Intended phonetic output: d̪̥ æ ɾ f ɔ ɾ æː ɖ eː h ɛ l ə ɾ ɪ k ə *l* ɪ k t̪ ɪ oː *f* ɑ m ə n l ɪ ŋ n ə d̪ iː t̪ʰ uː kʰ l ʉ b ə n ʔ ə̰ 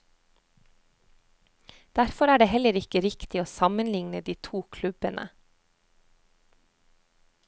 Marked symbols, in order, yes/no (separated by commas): no, no